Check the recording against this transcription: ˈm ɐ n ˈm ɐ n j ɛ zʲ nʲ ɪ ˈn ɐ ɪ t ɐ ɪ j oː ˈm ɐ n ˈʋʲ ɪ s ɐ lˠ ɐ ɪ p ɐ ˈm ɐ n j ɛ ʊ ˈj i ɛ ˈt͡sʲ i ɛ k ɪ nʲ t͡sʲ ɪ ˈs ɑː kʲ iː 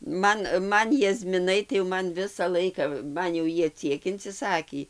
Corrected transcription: ˈm ɐ n ˈm ɐ n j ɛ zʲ mʲ ɪ ˈn ɐ ɪ t ɐ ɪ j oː ˈm ɐ n ˈʋʲ ɪ s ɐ lˠ ɐ ɪ k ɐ ˈm ɐ n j ɛ ʊ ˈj i ɛ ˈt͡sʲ i ɛ k ɪ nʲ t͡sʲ ɪ ˈs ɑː kʲ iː